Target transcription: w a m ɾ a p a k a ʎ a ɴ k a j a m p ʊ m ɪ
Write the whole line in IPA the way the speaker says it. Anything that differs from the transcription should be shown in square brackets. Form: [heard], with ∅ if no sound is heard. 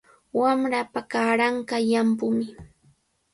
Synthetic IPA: w a m ɾ a p a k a [ɾ] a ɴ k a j a m p ʊ m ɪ